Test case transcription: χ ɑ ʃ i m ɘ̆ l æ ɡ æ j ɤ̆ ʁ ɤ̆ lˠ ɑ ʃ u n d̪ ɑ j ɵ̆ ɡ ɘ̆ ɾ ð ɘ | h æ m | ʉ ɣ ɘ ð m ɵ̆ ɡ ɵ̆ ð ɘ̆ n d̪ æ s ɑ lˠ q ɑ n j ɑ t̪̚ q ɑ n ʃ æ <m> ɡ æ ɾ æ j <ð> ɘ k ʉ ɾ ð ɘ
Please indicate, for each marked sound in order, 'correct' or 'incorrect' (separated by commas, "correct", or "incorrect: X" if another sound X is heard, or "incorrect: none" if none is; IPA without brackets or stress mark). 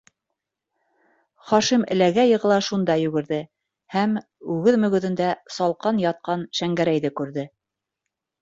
incorrect: ŋ, correct